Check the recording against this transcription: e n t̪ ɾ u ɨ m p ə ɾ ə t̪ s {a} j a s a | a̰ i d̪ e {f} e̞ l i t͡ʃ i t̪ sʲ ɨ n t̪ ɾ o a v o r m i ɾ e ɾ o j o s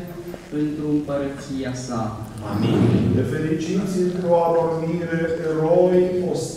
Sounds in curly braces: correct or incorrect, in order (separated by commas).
incorrect, correct